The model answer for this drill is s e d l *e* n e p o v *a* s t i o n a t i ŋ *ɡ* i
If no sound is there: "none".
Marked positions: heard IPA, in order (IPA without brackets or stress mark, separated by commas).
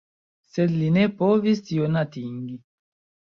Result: i, i, ɡ